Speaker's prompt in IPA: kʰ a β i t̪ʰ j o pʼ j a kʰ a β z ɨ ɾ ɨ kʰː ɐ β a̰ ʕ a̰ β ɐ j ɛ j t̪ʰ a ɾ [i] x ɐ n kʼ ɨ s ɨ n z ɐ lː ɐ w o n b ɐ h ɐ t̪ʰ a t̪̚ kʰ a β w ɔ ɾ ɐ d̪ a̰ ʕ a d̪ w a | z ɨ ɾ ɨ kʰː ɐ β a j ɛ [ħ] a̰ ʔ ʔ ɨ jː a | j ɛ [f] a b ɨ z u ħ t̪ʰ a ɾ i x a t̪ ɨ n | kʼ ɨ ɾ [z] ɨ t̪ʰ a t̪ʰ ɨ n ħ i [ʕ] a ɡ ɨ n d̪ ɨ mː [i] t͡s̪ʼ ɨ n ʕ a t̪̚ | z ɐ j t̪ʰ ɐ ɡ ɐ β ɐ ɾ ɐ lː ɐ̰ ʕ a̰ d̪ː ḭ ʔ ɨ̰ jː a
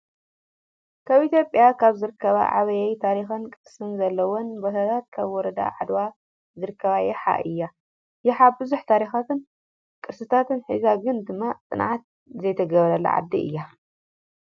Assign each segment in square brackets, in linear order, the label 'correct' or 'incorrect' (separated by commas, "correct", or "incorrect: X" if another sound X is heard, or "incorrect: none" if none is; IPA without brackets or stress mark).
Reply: correct, correct, incorrect: ħ, incorrect: s, incorrect: z, incorrect: a